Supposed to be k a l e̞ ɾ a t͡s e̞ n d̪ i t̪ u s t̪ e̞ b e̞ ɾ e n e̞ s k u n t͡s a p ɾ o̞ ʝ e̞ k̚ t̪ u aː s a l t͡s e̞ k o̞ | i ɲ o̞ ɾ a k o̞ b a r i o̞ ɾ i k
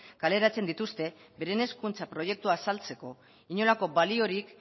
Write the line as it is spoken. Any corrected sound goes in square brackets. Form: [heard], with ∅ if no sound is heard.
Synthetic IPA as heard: k a l e̞ ɾ a t͡s e̞ n d̪ i t̪ u s t̪ e̞ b e̞ ɾ e n e̞ s k u n t͡s a p ɾ o̞ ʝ e̞ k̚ t̪ u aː s a l t͡s e̞ k o̞ | i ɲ o̞ [l] a k o̞ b a [l] i o̞ ɾ i k